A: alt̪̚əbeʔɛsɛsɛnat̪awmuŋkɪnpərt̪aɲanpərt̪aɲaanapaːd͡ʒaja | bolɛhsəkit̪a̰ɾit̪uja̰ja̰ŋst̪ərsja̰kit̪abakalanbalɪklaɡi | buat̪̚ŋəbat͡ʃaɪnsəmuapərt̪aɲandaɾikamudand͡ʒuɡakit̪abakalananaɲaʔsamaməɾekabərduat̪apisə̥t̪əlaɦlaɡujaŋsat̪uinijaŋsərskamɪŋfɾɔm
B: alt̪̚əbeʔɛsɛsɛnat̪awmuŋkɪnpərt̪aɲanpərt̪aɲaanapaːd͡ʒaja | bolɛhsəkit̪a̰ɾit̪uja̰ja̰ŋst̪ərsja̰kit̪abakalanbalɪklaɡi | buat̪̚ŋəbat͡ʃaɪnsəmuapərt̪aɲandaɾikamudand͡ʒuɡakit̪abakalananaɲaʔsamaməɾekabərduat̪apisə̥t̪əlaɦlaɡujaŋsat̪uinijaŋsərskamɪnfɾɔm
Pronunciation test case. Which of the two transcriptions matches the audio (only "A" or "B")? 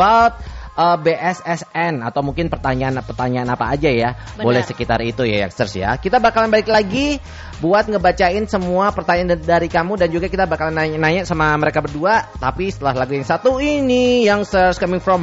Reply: A